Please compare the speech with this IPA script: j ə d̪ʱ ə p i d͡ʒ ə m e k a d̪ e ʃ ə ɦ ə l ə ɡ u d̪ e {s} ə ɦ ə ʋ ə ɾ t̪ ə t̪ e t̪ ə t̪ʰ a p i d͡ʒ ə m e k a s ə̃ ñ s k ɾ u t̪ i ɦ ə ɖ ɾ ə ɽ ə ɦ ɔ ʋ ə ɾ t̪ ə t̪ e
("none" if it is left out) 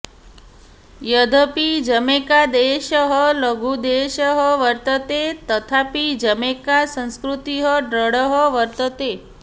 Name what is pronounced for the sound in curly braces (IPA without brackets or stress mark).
ʃ